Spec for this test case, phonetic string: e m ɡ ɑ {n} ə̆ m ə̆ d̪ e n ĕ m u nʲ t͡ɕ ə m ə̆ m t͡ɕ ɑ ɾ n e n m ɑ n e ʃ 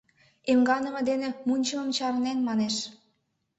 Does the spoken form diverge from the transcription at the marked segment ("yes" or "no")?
no